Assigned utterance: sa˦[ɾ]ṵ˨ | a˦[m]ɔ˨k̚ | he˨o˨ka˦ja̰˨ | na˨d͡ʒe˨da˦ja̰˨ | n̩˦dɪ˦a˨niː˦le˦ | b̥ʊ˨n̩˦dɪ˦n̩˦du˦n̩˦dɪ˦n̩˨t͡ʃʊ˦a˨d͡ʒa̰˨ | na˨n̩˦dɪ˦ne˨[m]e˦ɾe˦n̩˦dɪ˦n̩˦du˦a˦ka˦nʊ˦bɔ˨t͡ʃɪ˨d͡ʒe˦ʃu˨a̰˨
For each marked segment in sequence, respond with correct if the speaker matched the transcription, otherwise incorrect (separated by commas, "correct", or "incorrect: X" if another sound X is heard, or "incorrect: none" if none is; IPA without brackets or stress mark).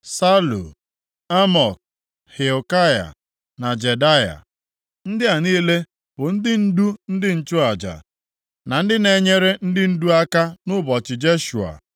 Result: incorrect: l, correct, incorrect: ɲ